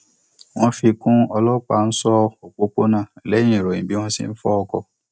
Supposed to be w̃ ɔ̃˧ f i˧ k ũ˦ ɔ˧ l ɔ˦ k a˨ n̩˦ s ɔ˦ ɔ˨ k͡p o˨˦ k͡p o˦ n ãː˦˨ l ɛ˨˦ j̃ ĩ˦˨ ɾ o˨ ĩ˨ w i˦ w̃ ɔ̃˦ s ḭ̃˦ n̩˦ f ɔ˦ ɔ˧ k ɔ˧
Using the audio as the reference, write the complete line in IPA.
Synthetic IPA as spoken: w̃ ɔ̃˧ f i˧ k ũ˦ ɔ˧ l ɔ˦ k͡p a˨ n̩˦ s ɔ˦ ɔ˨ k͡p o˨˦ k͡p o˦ n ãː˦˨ l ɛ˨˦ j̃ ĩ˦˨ ɾ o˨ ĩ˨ b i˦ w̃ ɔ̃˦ s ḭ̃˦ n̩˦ f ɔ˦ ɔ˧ k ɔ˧